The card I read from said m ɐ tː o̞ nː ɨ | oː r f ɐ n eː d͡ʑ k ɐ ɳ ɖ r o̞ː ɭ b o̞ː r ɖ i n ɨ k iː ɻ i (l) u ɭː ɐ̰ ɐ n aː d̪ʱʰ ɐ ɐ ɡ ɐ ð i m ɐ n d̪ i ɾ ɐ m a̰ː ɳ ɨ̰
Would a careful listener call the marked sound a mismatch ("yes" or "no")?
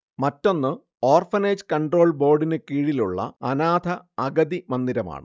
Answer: no